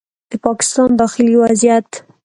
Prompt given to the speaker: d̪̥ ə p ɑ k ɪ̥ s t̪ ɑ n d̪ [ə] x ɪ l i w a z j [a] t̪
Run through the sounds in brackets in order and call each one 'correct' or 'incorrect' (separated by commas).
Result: incorrect, correct